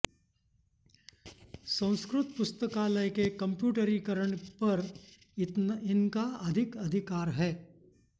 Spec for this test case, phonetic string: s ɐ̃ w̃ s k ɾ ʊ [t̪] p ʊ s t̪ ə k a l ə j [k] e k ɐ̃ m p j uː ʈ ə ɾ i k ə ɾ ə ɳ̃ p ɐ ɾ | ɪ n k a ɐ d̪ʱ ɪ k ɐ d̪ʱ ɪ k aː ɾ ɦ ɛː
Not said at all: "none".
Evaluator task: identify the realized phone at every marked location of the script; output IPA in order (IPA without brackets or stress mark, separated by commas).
t̪, k